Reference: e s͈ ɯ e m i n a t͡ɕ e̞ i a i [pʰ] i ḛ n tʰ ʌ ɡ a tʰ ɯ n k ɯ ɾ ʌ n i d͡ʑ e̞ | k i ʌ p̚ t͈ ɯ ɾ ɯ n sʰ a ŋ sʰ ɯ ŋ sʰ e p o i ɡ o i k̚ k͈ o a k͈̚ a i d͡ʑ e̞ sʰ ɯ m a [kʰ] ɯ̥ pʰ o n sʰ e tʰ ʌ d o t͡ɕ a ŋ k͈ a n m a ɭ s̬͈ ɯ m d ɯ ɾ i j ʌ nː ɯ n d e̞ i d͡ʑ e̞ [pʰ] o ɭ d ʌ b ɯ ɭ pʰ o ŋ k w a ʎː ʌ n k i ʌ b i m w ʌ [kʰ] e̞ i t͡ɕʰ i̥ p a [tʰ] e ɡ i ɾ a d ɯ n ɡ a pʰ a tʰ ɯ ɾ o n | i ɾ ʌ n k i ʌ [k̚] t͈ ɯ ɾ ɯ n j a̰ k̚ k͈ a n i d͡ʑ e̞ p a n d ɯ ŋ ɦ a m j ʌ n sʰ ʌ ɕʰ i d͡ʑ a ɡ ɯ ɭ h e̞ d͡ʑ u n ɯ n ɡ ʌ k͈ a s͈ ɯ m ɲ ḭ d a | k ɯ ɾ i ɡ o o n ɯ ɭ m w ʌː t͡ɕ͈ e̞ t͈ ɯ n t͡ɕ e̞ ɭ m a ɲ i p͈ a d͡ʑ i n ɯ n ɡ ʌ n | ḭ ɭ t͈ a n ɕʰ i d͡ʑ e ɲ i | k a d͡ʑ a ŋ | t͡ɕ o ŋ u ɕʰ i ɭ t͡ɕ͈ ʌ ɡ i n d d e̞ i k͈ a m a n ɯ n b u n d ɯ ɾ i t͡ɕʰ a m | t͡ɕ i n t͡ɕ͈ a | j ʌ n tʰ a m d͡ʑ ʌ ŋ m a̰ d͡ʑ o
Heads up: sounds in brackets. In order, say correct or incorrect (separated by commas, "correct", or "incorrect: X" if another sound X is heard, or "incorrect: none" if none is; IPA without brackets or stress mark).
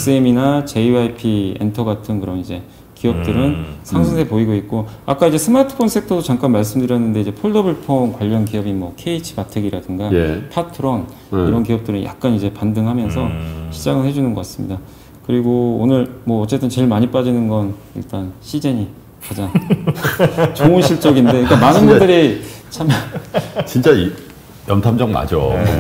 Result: correct, incorrect: tʰ, correct, correct, correct, incorrect: p̚